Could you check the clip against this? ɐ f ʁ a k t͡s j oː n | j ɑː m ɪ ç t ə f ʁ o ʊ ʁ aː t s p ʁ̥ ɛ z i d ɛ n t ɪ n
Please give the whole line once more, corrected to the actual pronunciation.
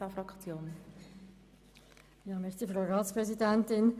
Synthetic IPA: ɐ f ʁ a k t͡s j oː n | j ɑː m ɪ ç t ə f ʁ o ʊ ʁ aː t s p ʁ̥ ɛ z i d ɛ n t ɪ n